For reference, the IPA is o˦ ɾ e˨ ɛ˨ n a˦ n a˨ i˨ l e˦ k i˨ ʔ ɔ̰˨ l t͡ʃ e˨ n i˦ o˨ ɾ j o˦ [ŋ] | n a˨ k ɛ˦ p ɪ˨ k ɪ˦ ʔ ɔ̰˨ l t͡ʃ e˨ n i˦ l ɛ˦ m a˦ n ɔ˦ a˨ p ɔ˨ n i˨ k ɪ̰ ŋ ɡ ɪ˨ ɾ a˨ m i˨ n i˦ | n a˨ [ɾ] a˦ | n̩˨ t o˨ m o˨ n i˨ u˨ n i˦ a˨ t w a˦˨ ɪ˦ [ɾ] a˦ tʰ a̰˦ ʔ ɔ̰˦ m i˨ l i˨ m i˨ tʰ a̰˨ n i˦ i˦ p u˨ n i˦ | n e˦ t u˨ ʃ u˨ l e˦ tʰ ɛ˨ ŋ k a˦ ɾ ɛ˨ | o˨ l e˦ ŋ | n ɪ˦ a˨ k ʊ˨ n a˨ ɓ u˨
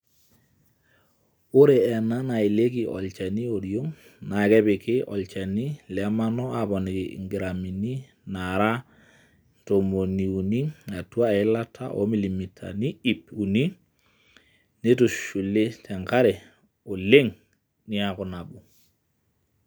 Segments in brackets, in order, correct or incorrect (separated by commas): correct, correct, incorrect